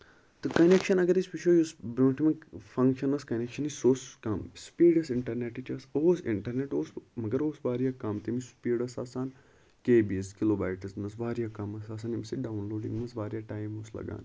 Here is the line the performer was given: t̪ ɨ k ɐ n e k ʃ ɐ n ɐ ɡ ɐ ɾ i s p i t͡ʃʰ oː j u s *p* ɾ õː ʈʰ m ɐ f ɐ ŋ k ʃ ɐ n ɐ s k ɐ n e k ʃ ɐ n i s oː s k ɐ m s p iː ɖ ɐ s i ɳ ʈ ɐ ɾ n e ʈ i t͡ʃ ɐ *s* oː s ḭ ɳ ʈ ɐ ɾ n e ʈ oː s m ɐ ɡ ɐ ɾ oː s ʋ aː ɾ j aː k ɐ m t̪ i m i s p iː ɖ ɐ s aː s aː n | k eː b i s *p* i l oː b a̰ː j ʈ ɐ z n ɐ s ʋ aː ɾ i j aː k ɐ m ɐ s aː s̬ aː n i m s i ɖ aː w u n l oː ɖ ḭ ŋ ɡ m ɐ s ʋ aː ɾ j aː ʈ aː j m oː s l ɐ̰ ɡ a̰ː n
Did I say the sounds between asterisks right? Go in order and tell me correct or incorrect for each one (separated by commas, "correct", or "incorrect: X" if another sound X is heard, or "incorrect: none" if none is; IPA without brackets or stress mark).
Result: incorrect: b, correct, incorrect: k